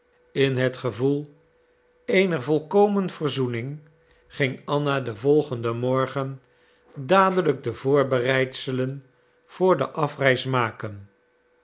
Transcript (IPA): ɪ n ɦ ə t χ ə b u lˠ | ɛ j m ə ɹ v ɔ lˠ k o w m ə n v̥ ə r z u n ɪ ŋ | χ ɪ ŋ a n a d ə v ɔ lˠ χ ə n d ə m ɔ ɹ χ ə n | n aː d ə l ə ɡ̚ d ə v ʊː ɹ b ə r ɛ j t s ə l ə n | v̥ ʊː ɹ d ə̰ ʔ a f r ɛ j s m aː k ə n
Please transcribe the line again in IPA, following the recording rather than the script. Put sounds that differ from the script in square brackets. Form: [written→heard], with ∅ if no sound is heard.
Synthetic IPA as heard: ɪ n ɦ ə t χ ə [b→v] u lˠ | [ɛ→e] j [m→n] ə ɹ v ɔ lˠ k o w m ə n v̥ ə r z u n ɪ ŋ | χ ɪ ŋ [a→ɑ] n a d ə v ɔ lˠ χ ə n d ə m ɔ ɹ χ ə n | [n→d] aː d ə l ə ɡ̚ d ə v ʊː ɹ b ə r ɛ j t s ə l ə n | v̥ ʊː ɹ d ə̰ ʔ [a→ɑ] f r ɛ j s m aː k ə n